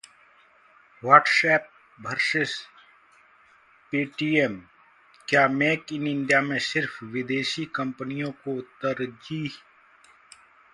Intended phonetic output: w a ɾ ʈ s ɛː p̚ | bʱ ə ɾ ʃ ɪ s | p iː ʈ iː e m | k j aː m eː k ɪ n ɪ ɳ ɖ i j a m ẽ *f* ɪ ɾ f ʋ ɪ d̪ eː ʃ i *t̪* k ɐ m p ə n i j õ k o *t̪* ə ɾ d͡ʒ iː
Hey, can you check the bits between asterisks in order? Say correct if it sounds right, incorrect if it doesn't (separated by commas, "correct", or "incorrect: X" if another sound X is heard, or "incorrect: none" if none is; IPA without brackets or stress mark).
incorrect: s, incorrect: none, correct